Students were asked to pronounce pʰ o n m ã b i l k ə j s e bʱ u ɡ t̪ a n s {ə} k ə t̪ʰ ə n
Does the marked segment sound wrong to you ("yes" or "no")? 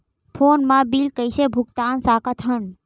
yes